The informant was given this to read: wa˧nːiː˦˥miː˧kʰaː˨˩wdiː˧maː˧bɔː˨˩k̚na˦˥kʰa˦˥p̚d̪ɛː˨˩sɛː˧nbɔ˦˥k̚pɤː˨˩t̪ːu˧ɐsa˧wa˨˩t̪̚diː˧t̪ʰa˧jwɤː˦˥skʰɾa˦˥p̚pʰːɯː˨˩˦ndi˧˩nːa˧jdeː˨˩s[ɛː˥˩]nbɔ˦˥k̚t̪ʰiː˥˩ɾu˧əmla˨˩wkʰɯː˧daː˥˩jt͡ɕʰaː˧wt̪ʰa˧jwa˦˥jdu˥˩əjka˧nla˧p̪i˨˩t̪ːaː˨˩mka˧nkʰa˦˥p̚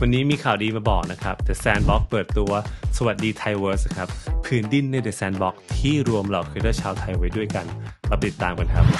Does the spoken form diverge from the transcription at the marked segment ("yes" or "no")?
yes